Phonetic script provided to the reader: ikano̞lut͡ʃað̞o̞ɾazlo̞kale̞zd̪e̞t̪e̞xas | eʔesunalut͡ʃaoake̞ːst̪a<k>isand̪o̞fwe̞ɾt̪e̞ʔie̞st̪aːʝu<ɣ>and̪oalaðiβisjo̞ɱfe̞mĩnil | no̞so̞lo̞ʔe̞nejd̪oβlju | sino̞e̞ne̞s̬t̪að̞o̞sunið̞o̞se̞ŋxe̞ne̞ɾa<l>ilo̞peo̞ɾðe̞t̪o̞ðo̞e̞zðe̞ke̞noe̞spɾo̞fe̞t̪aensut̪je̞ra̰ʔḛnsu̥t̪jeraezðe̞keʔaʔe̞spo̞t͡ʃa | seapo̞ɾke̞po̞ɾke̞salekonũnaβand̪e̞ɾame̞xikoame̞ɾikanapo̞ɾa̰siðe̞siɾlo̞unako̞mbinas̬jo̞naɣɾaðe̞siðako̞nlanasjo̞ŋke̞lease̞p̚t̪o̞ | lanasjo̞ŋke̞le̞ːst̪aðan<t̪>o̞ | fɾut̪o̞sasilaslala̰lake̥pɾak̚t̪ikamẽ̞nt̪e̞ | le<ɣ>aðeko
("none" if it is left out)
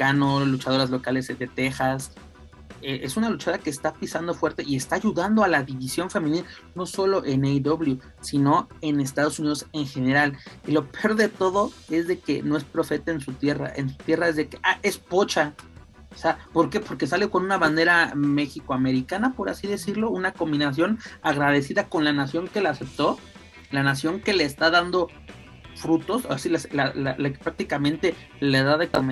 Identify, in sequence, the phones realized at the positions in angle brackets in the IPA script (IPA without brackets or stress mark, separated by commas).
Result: p, ð, l, d̪, ð